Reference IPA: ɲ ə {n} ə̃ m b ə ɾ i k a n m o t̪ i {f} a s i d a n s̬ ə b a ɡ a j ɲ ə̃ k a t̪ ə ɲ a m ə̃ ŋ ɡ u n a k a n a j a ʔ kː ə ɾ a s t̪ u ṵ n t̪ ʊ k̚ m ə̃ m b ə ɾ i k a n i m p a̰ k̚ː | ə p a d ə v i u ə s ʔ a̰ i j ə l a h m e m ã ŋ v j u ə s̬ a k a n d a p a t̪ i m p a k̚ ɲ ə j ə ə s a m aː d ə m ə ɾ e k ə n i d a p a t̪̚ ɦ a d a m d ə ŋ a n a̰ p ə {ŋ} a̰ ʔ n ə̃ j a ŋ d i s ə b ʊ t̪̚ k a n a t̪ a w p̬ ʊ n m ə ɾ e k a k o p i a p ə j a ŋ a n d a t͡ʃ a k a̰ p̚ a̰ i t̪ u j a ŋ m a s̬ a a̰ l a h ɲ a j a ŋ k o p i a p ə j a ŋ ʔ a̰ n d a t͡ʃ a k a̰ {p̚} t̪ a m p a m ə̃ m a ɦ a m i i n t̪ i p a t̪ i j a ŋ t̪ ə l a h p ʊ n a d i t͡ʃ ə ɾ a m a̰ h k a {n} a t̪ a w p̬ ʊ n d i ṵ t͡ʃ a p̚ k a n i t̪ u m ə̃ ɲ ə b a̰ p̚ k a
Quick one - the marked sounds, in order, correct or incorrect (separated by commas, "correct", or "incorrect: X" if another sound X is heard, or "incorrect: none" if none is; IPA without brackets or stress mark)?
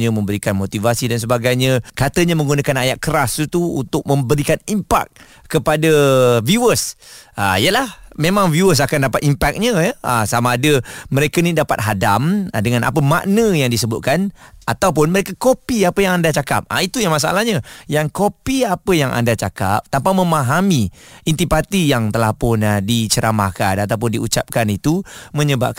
incorrect: m, incorrect: v, incorrect: m, correct, correct